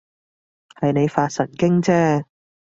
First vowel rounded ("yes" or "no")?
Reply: no